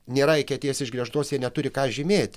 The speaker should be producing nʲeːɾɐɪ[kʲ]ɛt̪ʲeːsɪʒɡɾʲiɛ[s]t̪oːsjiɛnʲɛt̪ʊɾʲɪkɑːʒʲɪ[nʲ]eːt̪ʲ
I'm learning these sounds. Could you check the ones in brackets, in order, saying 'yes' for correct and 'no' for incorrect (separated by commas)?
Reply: yes, no, no